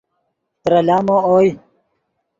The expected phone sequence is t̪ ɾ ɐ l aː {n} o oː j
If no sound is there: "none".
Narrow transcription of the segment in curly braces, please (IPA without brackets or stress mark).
m